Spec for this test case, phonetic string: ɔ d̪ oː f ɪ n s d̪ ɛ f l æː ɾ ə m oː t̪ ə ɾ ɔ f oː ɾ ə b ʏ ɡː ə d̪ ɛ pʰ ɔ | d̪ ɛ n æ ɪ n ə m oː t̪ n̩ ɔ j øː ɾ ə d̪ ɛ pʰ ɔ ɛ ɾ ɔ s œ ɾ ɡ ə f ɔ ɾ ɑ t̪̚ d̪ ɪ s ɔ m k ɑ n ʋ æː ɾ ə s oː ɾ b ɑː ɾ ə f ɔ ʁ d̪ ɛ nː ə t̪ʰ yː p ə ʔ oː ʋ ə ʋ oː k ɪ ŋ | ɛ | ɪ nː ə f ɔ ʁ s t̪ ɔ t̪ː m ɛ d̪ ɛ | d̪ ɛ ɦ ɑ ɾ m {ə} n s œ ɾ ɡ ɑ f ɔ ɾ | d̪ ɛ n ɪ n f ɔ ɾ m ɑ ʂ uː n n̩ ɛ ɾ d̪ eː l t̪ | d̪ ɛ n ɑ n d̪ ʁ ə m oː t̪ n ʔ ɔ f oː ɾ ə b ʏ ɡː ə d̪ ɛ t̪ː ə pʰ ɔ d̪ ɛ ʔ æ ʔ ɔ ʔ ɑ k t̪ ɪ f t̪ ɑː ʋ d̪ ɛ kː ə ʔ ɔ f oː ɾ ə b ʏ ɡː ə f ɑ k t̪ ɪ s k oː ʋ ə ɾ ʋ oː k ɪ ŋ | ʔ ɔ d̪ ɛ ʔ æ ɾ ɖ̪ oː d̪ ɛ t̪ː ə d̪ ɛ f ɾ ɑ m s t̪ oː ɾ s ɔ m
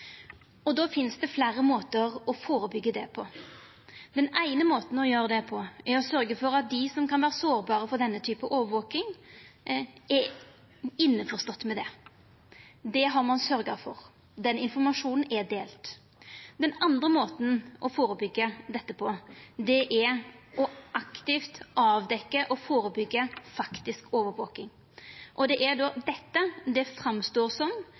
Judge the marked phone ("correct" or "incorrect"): incorrect